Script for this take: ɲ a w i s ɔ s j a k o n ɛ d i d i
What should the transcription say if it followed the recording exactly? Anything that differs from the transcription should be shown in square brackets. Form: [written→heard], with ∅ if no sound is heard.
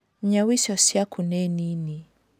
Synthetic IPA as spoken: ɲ a w i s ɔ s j a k [o→u] n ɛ [d→n] i [d→n] i